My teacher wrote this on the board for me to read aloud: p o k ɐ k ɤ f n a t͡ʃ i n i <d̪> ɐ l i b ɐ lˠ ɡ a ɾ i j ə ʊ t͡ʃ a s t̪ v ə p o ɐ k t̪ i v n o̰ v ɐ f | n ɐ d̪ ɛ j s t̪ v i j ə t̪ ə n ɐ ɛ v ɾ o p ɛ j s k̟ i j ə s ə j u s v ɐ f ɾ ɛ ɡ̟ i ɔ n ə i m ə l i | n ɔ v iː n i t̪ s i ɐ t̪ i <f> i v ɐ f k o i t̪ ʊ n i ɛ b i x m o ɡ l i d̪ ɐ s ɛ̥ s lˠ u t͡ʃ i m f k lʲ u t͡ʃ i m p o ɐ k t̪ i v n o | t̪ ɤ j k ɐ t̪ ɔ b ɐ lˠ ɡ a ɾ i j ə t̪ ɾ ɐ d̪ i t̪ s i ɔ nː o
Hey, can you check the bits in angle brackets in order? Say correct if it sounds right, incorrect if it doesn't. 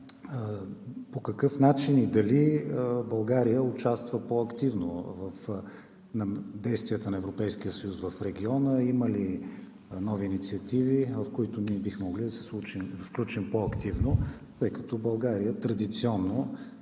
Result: correct, incorrect: v

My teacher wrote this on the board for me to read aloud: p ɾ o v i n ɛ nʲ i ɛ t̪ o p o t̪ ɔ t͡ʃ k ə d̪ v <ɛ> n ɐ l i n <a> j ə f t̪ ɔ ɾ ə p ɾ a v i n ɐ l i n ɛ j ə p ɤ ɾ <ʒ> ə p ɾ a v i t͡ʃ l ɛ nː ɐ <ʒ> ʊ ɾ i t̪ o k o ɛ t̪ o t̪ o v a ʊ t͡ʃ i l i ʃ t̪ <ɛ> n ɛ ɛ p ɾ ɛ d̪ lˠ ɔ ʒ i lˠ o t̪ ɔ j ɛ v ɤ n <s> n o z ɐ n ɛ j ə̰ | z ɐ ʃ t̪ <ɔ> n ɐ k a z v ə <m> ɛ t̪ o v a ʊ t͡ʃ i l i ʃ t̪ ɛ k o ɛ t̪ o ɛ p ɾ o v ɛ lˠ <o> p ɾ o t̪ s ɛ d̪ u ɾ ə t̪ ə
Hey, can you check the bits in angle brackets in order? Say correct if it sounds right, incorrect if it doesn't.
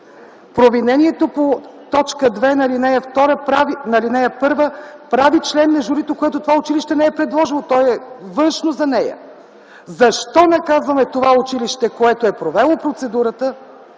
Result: correct, incorrect: ɛ, incorrect: v, correct, correct, incorrect: ʃ, correct, correct, correct

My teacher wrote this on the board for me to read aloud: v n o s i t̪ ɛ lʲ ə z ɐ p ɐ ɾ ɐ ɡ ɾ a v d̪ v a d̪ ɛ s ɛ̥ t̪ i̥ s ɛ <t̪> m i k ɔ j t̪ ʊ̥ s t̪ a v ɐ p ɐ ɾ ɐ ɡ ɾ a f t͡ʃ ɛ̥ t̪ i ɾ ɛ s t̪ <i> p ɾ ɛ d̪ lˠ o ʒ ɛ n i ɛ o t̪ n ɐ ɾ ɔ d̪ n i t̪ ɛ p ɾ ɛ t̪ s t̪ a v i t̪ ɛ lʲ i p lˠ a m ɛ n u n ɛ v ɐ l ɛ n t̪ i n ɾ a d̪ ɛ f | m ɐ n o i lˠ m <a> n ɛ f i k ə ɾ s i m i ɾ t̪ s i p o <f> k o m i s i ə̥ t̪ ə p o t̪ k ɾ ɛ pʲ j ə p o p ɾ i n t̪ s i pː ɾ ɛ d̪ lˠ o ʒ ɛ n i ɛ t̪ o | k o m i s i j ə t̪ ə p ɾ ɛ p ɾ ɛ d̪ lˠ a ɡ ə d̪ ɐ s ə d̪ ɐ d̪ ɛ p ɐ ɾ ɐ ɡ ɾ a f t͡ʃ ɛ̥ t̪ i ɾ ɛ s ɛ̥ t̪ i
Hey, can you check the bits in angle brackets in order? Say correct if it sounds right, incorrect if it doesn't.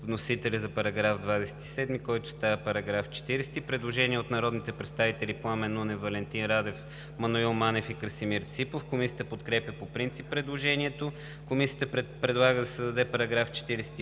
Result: incorrect: d̪, correct, correct, correct

